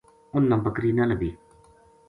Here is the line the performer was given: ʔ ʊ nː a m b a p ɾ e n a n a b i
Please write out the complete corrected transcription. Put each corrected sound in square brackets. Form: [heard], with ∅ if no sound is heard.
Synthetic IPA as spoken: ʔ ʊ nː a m b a [k] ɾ [i] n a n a b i